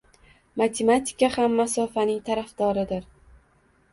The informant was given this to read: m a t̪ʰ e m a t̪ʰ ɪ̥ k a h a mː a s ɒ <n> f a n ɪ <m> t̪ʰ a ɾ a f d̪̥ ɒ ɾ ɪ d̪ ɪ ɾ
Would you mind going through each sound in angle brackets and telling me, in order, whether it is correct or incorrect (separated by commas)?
incorrect, incorrect